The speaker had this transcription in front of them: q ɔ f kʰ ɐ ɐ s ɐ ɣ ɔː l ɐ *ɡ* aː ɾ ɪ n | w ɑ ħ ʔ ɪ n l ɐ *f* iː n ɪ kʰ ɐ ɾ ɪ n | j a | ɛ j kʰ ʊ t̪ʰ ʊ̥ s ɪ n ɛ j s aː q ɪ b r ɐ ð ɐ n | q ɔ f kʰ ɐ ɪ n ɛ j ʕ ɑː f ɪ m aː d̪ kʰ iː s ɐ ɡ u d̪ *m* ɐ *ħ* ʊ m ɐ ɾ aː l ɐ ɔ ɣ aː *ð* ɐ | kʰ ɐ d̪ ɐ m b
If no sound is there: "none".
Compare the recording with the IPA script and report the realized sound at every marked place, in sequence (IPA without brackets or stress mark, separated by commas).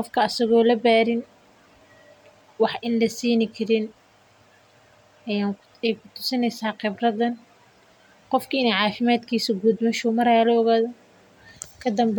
b, s, m, ʃ, ð